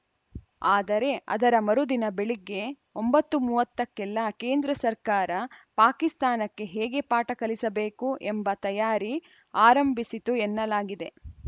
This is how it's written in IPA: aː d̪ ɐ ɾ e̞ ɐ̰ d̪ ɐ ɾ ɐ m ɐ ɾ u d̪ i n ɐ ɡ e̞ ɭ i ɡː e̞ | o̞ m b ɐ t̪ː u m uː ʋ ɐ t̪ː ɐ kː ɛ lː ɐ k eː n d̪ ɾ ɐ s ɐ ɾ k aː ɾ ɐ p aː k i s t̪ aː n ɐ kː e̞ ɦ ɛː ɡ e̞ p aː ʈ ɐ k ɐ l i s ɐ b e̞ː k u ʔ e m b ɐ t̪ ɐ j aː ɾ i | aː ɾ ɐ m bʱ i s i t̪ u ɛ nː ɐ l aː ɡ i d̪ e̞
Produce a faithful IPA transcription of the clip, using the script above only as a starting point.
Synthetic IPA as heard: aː d̪ ɐ ɾ e̞ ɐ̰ d̪ ɐ ɾ ɐ m ɐ ɾ u d̪ i n ɐ b e̞ ɭ i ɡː e̞ | o̞ m b ɐ t̪ː u m uː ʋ ɐ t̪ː ɐ kː ɛ lː ɐ k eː n d̪ ɾ ɐ s ɐ ɾ k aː ɾ ɐ p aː k i s t̪ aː n ɐ kː e̞ ɦ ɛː ɡ e̞ p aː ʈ ɐ k ɐ l i s ɐ b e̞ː k u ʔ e m b ɐ t̪ ɐ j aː ɾ i | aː ɾ ɐ m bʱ i s i t̪ u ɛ nː ɐ l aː ɡ i d̪ e̞